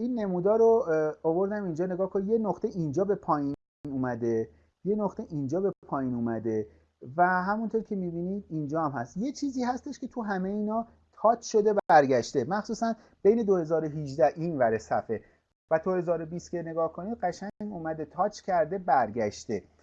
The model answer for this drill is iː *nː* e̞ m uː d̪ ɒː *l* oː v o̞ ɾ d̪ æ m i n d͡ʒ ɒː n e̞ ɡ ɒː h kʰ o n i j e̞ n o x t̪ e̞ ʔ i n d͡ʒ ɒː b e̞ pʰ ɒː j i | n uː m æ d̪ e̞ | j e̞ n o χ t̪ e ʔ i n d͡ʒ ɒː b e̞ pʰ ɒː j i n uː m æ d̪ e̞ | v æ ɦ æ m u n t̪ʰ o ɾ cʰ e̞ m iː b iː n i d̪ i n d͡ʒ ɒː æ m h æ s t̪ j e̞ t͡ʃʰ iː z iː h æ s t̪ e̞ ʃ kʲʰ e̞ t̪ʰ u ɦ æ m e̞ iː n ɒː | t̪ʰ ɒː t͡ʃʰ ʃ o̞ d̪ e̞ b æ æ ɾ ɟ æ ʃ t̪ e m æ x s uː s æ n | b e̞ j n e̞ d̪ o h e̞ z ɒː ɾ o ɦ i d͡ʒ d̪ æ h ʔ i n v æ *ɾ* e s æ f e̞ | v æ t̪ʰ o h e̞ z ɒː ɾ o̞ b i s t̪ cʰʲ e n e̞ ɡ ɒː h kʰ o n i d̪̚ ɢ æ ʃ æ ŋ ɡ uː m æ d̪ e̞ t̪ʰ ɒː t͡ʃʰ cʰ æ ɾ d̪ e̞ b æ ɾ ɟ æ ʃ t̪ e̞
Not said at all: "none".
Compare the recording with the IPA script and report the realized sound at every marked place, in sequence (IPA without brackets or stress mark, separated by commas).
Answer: nː, ɾ, ɾ